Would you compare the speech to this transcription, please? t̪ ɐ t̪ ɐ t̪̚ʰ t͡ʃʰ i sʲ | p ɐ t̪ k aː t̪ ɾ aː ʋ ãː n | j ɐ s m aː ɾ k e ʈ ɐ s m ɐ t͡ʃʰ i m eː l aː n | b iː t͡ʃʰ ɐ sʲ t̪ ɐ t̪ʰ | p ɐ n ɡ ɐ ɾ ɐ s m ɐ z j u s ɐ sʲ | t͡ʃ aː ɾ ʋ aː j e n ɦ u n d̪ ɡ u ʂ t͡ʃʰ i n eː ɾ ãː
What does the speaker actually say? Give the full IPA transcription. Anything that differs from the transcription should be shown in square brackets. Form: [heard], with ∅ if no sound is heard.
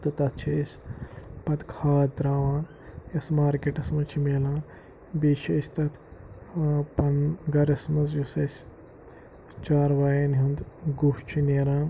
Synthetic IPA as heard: t̪ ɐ t̪ ɐ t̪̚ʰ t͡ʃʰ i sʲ | p ɐ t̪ [kʰ] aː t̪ ɾ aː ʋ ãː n | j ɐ s m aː ɾ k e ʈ ɐ s m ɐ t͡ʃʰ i m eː l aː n | b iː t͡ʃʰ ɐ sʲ t̪ ɐ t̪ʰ | p ɐ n ɡ ɐ ɾ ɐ s m ɐ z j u s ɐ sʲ | t͡ʃ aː ɾ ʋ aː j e n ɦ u n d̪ ɡ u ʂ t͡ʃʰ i n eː ɾ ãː